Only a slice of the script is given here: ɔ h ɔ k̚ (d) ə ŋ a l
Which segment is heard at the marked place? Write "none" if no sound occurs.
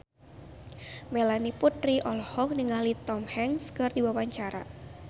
n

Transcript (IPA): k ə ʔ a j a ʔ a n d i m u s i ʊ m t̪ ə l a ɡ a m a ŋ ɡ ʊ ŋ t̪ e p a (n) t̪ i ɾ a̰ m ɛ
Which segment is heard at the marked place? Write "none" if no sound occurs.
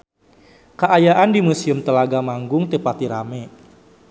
none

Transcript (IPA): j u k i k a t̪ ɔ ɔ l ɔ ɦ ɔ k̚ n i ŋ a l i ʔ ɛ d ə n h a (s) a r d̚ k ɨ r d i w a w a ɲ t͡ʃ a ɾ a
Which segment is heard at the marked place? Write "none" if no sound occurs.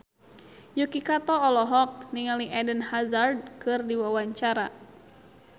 z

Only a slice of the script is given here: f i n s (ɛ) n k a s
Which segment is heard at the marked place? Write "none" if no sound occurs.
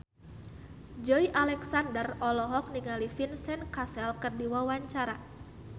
ɛ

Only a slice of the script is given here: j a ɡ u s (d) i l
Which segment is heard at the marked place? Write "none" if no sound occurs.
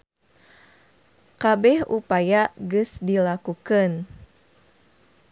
d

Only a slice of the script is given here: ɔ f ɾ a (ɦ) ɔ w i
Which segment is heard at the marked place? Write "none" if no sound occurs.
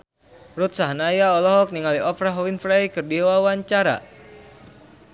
ɦ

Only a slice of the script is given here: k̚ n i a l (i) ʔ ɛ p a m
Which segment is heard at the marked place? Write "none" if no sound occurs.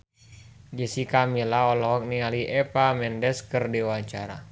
i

